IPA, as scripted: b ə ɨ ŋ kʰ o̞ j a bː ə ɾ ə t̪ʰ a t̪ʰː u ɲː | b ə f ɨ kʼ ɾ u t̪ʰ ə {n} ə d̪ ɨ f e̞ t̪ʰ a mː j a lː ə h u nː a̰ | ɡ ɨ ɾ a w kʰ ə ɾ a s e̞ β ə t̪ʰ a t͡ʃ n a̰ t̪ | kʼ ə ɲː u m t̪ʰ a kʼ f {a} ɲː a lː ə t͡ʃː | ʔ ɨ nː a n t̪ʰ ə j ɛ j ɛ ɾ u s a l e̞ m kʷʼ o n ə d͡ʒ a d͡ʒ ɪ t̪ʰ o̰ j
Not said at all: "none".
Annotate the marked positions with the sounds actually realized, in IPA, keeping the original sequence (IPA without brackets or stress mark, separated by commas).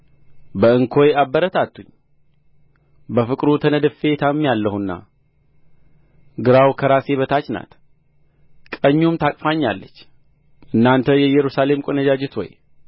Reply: n, a